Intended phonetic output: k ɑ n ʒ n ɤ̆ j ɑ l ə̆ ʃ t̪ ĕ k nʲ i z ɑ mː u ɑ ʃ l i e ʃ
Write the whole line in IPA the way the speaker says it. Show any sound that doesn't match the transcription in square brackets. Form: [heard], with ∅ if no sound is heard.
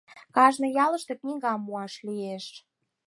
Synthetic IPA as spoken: k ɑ [∅] ʒ n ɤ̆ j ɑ l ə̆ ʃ t̪ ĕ k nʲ i [ɣ] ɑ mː u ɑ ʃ l i e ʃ